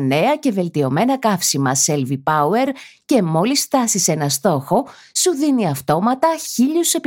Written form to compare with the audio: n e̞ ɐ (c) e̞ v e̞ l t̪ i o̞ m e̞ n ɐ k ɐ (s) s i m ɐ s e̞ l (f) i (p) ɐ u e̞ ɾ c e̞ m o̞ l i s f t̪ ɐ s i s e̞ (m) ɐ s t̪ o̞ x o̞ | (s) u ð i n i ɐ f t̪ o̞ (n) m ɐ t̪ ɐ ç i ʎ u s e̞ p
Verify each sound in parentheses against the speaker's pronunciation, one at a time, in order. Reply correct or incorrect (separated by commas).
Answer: correct, incorrect, incorrect, correct, incorrect, correct, incorrect